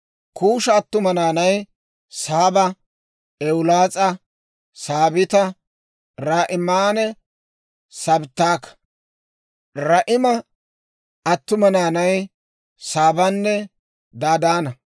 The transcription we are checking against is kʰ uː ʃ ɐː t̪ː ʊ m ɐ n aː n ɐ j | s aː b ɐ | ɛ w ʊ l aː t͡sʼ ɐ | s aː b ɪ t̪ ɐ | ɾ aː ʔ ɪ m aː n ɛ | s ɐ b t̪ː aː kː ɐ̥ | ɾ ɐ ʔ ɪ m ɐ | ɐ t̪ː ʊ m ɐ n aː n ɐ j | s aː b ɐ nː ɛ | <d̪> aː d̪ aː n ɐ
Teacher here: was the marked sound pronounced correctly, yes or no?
yes